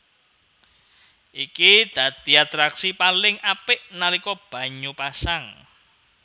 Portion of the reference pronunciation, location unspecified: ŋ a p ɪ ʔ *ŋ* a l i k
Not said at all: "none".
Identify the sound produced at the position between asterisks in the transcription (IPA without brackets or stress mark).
n